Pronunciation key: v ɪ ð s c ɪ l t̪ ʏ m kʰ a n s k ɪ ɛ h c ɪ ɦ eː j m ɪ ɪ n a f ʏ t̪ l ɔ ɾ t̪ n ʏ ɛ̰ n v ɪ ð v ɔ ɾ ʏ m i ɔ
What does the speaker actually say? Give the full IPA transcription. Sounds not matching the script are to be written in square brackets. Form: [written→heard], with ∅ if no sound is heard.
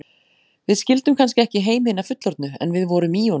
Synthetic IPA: v ɪ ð s c ɪ l t̪ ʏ m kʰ a n s [k→c] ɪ ɛ h c ɪ ɦ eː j m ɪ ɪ n a f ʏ t̪ l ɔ ɾ t̪ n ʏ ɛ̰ n v ɪ ð v ɔ ɾ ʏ m i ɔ